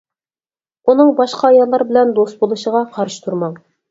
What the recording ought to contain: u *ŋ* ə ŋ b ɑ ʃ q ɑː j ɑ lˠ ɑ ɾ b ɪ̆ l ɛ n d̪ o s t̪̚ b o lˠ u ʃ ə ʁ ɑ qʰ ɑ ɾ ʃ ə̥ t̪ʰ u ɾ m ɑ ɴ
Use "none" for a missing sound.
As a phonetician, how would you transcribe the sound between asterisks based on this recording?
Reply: n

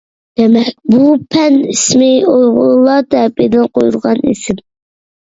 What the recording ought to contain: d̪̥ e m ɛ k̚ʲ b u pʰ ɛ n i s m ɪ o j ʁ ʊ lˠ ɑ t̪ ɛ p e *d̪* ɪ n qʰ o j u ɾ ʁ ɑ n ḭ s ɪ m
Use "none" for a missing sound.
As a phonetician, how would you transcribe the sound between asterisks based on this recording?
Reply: d̪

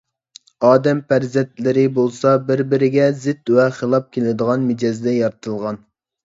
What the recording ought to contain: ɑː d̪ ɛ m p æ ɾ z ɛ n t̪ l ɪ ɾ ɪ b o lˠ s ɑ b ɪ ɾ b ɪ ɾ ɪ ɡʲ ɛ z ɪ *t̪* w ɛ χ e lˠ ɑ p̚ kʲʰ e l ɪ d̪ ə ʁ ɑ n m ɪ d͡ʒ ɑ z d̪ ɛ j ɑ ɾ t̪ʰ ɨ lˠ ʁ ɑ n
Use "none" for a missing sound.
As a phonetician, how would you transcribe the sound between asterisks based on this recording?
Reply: t̪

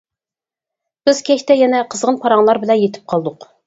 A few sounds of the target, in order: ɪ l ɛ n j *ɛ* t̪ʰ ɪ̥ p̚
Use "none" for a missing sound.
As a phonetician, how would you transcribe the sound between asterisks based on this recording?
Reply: e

